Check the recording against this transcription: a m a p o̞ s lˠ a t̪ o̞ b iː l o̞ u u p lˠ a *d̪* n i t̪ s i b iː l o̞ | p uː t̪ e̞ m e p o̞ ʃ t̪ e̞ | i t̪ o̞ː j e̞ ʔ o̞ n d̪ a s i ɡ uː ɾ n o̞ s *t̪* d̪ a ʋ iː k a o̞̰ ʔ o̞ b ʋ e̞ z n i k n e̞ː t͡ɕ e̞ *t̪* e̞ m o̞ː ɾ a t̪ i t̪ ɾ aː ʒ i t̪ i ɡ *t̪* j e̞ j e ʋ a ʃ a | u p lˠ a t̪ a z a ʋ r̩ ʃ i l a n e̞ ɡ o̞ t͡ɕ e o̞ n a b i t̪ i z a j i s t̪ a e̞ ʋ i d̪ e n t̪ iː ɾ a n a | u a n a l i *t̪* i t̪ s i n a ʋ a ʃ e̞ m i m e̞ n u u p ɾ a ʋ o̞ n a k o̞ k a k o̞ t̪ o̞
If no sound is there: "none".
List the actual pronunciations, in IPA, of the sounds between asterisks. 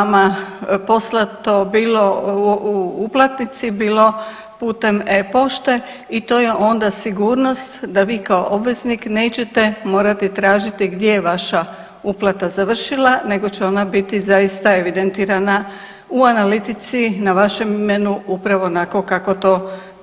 t̪, t̪, t̪, d̪, t̪

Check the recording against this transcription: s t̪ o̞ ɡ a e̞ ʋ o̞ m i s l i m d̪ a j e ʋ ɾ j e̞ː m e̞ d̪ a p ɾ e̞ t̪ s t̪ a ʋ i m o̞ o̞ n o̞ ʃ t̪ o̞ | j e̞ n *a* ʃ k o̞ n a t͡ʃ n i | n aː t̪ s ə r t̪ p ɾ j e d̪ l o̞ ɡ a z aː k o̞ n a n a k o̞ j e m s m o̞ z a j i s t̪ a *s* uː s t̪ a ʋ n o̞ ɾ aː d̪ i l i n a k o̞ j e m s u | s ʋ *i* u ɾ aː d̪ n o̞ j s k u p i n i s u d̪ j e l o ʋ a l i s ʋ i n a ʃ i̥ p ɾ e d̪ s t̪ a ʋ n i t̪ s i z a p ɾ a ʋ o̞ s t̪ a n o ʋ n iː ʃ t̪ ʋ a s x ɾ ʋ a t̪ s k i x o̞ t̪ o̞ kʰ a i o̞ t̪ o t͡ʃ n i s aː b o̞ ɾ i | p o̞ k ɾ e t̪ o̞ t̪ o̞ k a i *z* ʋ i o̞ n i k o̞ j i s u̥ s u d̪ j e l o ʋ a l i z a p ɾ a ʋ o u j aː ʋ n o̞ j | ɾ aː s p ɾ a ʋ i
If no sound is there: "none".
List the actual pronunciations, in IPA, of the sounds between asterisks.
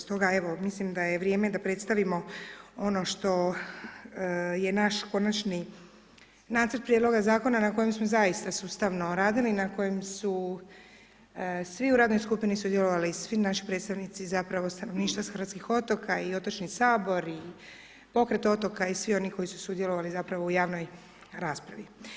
a, s, i, s

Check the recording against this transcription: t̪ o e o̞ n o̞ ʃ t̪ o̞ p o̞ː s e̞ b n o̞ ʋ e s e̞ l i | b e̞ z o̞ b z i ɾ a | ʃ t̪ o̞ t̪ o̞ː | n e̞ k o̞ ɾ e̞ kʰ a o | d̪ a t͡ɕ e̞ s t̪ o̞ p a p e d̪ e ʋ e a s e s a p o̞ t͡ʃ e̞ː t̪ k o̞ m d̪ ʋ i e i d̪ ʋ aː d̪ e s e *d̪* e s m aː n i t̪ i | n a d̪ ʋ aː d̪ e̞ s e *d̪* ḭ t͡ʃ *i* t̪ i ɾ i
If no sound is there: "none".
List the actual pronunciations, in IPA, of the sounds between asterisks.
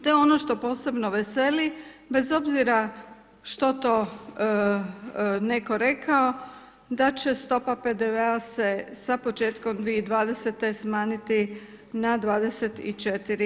t̪, t̪, e

